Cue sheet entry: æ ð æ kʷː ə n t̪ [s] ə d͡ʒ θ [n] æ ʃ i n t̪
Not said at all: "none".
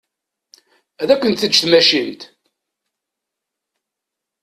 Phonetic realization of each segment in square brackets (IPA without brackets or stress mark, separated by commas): θ, m